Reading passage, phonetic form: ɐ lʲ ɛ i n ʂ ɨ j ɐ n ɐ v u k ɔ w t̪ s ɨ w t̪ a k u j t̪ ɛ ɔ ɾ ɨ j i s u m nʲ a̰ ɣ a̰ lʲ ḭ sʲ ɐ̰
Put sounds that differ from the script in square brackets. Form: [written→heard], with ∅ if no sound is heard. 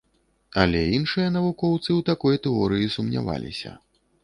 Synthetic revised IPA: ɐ lʲ ɛ i n ʂ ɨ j ɐ n ɐ v u k ɔ w t̪ s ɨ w t̪ a k [u→ɔ] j t̪ ɛ ɔ ɾ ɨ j i s u m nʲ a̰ [ɣ→v] a̰ lʲ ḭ sʲ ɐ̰